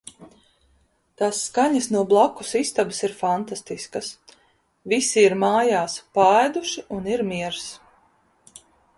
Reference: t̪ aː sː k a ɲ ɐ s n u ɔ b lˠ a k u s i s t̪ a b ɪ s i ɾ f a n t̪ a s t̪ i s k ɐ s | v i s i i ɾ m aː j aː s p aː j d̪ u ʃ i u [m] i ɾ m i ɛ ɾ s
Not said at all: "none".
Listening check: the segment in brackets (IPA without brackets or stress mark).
n